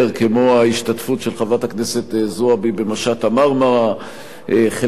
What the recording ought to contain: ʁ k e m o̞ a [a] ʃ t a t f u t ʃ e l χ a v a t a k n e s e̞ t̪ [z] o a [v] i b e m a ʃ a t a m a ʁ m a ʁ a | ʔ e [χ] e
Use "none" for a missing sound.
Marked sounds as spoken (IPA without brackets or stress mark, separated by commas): i, z, b, χ